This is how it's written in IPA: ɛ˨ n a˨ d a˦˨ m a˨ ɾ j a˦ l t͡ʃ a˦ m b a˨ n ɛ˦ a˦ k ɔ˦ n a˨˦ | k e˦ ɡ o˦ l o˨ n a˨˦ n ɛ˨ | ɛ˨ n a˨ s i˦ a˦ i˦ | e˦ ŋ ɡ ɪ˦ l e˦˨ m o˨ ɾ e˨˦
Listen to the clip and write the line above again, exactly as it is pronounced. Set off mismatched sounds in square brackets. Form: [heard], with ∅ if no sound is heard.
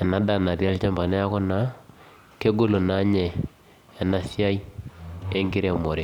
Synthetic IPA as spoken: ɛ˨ n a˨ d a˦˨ [n] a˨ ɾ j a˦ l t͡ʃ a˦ m b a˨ n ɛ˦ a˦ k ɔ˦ n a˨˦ | k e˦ ɡ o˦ l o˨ n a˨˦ [ɲ] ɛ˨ | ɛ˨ n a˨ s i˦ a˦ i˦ | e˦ ŋ ɡ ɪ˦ [ɾ] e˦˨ m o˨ ɾ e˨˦